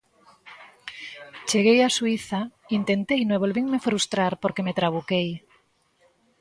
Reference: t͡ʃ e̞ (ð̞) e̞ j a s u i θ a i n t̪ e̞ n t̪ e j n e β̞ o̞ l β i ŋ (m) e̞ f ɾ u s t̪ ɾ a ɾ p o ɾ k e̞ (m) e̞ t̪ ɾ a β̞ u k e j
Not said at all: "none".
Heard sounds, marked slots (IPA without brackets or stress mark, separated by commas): ɣ̞, m, m